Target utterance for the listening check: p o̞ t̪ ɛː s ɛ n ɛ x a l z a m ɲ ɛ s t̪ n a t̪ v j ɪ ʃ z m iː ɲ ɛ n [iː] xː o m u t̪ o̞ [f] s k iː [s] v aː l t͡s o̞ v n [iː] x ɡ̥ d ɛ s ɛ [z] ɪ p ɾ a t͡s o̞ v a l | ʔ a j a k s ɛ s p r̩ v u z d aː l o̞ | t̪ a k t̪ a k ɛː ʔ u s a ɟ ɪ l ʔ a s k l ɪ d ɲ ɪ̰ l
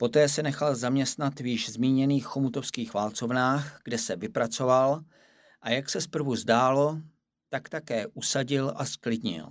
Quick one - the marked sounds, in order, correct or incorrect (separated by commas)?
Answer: correct, correct, incorrect, incorrect, incorrect